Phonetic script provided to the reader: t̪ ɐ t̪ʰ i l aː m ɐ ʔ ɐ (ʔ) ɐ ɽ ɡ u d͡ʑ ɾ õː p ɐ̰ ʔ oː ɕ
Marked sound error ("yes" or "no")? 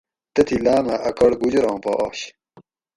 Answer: yes